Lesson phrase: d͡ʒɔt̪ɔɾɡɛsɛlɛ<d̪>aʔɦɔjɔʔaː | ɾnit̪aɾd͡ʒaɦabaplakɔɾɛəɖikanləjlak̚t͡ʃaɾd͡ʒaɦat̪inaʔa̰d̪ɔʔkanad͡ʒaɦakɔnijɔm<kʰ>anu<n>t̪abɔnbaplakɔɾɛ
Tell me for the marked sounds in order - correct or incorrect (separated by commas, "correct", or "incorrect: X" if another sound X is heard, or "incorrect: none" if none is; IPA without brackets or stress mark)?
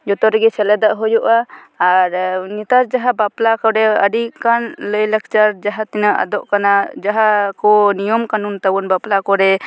correct, incorrect: k, correct